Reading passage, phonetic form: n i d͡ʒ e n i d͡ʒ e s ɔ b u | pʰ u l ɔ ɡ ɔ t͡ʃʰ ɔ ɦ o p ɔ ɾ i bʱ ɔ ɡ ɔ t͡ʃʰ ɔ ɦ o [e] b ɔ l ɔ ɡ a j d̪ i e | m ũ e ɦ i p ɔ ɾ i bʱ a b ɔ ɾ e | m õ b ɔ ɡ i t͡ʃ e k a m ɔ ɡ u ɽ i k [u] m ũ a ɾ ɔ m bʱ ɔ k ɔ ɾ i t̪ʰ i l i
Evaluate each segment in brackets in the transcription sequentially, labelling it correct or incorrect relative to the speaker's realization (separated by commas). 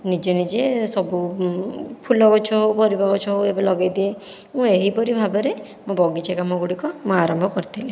correct, incorrect